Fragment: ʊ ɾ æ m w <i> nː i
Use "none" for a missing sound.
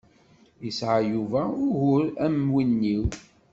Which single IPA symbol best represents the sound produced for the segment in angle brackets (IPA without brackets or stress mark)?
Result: i